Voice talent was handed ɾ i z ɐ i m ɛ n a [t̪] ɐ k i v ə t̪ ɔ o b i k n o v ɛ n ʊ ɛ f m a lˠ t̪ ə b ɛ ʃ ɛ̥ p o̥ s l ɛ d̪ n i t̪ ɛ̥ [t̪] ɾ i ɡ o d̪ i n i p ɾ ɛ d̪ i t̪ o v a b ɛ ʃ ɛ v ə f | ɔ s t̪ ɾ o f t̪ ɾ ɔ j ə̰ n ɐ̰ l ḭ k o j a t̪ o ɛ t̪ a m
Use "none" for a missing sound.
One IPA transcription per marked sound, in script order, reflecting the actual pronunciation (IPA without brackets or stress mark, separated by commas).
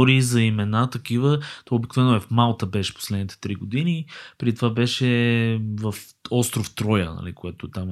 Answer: t̪, t̪